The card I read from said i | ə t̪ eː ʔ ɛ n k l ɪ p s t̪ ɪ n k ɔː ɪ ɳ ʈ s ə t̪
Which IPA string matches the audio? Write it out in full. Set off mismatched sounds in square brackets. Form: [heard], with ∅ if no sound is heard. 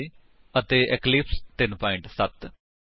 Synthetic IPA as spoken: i | ə t̪ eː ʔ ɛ [∅] k l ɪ p s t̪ ɪ n [p] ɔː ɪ ɳ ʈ s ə t̪